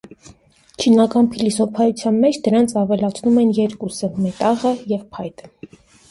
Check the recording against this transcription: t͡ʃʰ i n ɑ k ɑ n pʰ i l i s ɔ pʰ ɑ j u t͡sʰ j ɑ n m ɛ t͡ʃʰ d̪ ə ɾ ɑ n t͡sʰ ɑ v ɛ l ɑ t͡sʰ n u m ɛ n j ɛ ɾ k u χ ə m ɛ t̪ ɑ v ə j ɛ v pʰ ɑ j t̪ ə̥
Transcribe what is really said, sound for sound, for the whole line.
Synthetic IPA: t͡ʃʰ i n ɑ k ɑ n pʰ i l i s ɔ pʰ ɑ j u t͡sʰ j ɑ n m ɛ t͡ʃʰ d̪ ə ɾ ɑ n t͡sʰ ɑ v ɛ l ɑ t͡sʰ n u m ɛ n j ɛ ɾ k u s ə m ɛ t̪ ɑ ʁ ə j ɛ v pʰ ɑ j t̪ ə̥